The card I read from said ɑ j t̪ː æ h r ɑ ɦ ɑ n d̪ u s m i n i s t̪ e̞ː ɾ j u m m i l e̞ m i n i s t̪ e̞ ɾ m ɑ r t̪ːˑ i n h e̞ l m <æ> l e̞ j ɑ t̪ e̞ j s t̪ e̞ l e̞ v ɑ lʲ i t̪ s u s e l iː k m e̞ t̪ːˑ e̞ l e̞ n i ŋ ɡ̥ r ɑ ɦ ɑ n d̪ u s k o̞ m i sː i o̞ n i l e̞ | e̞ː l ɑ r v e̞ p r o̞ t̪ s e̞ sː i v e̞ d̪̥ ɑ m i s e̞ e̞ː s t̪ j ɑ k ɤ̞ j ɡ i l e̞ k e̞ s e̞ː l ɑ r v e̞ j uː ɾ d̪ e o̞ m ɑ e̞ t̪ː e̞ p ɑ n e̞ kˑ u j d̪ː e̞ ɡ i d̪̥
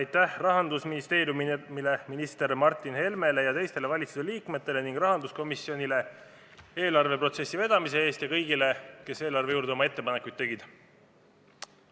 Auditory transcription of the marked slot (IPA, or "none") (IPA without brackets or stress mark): e